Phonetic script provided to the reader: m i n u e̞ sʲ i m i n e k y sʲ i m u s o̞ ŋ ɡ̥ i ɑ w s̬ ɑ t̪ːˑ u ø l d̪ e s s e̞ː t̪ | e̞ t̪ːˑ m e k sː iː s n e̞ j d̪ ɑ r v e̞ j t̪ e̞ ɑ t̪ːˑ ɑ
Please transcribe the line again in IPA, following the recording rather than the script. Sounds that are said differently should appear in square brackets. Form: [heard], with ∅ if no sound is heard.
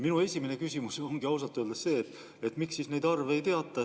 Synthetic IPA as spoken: m i n u e̞ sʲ i m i n e k y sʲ i m u s o̞ ŋ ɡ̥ i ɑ w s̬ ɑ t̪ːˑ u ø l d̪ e s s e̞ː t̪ | e̞ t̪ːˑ m [i] k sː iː s n e̞ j d̪ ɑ r v e̞ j t̪ e̞ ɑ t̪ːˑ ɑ